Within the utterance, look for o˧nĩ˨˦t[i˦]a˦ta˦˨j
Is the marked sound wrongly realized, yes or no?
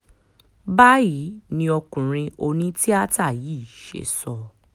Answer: no